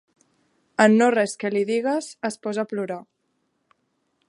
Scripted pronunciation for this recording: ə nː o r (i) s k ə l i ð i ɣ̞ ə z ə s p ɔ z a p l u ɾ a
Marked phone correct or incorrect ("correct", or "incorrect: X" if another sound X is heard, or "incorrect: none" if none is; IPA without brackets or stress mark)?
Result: incorrect: ɛ